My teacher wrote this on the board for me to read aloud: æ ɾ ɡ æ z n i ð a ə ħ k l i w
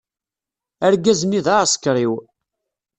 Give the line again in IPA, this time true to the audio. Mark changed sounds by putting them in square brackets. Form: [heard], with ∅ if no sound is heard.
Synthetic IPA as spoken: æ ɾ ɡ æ z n i ð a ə [s] k [ɾ] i w